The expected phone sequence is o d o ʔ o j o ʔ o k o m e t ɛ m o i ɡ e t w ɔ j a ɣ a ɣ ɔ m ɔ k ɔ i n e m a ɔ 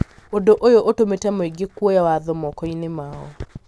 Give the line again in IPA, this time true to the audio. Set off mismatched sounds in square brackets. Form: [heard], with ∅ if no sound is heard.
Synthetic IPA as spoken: o d o ʔ o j o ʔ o [t] o m e t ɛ m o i ɡ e [k] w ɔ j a [w] a [ð] ɔ m ɔ k ɔ i n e m a ɔ